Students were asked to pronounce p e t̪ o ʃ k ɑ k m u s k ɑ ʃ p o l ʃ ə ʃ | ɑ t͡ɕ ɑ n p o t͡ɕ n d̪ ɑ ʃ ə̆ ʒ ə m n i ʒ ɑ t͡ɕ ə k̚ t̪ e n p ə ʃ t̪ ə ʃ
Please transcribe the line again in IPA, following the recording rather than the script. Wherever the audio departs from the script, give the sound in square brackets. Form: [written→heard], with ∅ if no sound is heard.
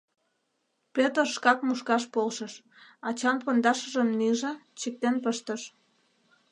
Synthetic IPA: p e t̪ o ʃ k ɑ k m u [s→ʃ] k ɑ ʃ p o l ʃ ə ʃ | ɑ t͡ɕ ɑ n p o [t͡ɕ→∅] n d̪ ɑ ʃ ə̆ ʒ ə m n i ʒ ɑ t͡ɕ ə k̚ t̪ e n p ə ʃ t̪ ə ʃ